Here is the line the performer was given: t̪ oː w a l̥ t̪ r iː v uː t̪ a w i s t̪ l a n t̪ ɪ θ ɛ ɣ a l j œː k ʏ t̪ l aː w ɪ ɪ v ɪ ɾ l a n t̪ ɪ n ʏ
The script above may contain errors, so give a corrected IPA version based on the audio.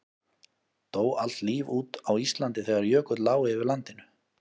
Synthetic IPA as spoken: t̪ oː w a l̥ t̪ l iː v uː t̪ a w i s t̪ l a n t̪ ɪ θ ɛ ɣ a ɾ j œː k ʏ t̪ l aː w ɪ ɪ v ɪ ɾ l a n t̪ ɪ n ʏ